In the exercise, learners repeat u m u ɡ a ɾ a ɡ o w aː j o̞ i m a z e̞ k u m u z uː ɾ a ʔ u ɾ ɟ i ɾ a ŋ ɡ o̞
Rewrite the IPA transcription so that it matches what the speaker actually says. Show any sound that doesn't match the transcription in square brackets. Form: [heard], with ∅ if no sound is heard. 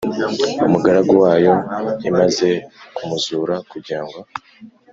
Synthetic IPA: u m u ɡ a ɾ a ɡ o w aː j o̞ i m a z e̞ k u m u z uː ɾ a [k] u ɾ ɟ i ɾ a ŋ ɡ o̞